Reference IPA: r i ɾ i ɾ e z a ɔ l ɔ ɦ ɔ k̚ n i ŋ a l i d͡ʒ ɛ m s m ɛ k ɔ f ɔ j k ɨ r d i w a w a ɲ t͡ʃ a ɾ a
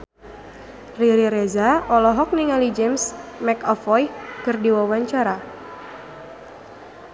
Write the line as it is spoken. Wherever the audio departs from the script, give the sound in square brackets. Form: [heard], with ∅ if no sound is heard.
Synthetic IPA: r i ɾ i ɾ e z a ɔ l ɔ ɦ ɔ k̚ n i ŋ a l i d͡ʒ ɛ m s m ɛ k ɔ f ɔ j k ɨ r d i w a w a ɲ t͡ʃ a ɾ a

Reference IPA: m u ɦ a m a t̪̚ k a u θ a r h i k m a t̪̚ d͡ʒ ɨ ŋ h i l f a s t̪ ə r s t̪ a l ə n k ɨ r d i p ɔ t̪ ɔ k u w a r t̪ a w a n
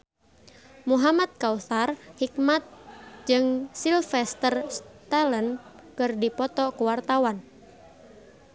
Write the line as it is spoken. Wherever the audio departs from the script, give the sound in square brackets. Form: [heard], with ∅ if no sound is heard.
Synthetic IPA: m u ɦ a m a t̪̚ k a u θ a r h i k m a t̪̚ d͡ʒ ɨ ŋ [s] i l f [ɛ] s t̪ ə r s t̪ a l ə n k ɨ r d i p ɔ t̪ ɔ k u w a r t̪ a w a n

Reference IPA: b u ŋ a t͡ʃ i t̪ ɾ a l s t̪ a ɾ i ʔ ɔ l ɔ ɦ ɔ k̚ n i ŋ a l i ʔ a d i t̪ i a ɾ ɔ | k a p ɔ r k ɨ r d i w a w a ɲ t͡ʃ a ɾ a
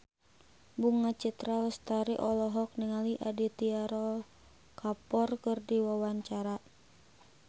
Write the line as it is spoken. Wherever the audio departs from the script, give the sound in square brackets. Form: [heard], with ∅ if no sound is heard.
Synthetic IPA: b u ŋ a t͡ʃ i t̪ ɾ a l s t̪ a ɾ i ʔ ɔ l ɔ ɦ ɔ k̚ n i ŋ a l i ʔ a d i t̪ i a ɾ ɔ | k a p ɔ r k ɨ r d i w a w a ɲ t͡ʃ a ɾ a

